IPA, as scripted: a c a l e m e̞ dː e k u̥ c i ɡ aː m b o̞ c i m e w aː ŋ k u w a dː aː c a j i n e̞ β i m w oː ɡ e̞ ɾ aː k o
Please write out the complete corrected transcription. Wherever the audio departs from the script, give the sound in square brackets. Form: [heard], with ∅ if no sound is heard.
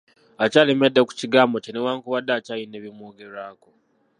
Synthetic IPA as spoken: a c a l e m e̞ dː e k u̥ c i ɡ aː m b o̞ c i [n] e w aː ŋ k u [β] a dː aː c a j i n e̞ β i m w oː ɡ e̞ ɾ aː k o